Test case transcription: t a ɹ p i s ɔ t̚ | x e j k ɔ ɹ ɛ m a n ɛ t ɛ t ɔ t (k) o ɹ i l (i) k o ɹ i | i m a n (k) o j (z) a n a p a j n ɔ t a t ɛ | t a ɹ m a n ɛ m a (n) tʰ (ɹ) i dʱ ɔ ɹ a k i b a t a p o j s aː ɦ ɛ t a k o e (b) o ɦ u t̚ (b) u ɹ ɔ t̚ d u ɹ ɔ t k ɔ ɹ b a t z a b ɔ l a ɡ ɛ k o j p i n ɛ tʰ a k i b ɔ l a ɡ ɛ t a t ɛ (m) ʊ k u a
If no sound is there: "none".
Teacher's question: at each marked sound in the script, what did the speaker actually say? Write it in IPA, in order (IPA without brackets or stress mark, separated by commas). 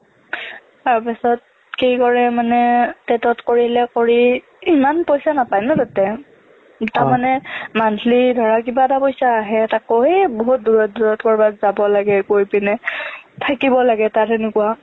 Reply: k, ɛ, p, s, n, l, b, d, n